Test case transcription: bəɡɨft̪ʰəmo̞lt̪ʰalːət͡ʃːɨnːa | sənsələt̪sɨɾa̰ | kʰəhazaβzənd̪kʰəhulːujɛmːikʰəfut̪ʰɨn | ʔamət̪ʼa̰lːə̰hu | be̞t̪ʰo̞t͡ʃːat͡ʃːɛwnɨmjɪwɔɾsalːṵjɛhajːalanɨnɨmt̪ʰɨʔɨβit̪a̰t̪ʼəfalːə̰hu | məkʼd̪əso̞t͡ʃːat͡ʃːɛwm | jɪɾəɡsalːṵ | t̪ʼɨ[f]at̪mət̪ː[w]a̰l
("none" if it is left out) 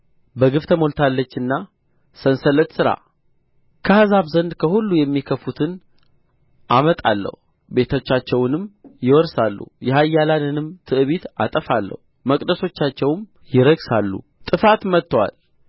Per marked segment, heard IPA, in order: f, w

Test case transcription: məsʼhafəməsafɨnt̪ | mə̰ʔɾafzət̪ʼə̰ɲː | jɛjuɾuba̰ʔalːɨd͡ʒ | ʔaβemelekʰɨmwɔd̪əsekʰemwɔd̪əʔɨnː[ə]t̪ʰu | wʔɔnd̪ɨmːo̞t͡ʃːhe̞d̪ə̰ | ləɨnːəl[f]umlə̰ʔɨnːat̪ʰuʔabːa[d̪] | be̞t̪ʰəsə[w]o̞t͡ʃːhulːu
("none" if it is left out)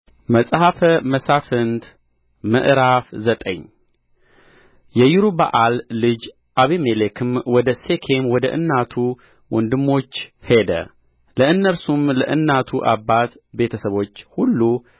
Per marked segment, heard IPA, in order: a, s, t̪, β

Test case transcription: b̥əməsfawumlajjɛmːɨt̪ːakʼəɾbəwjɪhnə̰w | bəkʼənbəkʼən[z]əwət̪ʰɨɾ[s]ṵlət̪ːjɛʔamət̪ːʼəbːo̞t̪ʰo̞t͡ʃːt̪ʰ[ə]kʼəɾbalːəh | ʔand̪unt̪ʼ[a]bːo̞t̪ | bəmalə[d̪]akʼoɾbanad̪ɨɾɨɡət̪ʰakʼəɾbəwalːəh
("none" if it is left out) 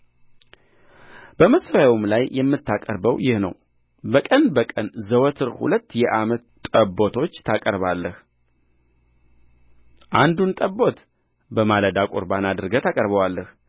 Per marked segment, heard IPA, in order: z, h, a, ə, d̪

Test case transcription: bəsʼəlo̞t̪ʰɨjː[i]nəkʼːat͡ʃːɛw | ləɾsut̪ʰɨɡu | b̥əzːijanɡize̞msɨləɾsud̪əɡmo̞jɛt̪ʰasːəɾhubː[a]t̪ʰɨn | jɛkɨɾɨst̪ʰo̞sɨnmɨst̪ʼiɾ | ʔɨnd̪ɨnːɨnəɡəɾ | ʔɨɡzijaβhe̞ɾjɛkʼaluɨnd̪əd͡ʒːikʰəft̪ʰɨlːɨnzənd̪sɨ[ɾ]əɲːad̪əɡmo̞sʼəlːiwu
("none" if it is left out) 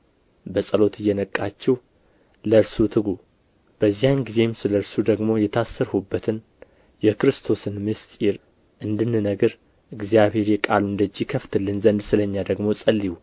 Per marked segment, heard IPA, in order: ɛ, ə, l

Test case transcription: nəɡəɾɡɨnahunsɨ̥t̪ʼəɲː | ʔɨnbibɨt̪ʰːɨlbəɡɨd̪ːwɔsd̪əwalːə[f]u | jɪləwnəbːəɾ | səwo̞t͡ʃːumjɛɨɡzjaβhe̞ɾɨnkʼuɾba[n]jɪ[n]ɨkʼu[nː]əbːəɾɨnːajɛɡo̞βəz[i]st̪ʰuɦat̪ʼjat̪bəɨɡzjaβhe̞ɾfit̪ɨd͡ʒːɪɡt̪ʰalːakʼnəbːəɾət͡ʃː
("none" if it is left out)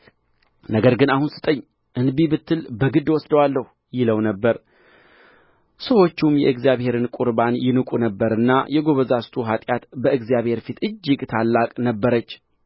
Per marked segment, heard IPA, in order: h, n, n, n, a

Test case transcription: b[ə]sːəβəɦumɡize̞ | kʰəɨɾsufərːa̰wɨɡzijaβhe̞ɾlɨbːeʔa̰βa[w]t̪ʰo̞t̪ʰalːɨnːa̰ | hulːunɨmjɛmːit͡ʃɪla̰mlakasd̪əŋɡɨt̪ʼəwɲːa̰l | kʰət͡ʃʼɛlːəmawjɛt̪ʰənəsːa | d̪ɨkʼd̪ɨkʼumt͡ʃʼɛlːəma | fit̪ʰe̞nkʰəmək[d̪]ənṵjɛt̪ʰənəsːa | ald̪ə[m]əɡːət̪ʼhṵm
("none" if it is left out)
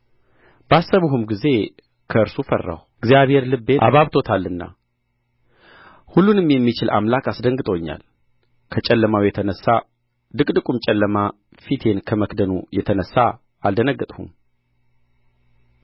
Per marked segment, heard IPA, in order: a, β, d̪, n

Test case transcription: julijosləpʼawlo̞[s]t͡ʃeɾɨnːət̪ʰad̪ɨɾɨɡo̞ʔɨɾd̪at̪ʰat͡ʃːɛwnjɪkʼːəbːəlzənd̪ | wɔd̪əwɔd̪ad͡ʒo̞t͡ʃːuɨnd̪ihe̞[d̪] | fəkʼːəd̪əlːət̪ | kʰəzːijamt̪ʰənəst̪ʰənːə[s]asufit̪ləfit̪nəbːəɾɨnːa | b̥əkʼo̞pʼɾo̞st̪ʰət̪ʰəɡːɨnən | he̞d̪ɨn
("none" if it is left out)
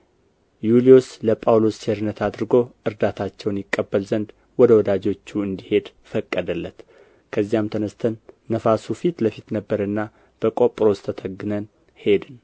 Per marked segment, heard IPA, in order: s, d̪, f

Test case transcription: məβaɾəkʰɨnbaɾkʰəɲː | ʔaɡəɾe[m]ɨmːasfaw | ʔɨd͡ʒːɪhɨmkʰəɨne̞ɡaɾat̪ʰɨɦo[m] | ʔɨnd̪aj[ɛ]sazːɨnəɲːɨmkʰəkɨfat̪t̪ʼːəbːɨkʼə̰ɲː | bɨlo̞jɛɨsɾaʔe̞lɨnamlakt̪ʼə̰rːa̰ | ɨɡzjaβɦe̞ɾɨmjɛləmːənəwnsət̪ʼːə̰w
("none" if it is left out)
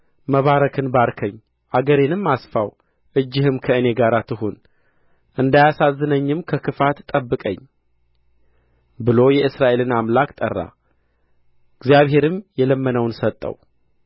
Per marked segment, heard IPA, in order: n, n, a

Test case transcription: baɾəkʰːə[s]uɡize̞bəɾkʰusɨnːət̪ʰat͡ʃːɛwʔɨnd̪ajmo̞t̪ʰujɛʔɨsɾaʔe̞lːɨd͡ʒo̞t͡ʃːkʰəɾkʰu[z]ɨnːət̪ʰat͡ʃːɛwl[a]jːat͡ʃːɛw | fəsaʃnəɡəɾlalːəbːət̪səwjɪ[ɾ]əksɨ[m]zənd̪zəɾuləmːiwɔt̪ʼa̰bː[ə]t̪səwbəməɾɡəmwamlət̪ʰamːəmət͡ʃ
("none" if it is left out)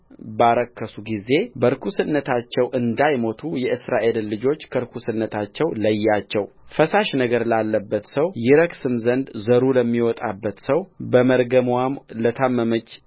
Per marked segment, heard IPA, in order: s, s, ə, ɾ, m, ə

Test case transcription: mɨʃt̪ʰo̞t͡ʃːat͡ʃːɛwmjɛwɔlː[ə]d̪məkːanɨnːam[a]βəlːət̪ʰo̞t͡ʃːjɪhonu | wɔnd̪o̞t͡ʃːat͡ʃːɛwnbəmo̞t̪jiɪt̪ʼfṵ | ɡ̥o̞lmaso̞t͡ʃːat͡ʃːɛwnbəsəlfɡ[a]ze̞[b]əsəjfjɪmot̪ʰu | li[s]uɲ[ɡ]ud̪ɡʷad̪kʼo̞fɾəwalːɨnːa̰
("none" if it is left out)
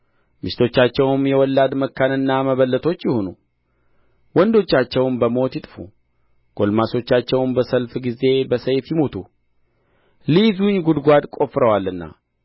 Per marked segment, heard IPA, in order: a, ə, i, b, z, ɡ

